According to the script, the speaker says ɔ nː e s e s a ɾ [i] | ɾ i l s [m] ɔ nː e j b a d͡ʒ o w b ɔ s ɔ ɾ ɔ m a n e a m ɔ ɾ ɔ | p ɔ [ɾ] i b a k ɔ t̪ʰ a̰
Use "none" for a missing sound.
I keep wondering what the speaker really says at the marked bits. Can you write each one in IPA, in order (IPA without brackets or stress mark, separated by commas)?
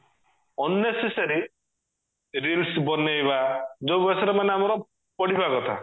i, b, ɽ